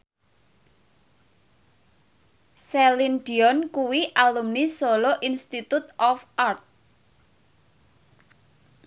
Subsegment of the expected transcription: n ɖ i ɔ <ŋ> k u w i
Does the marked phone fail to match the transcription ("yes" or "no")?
yes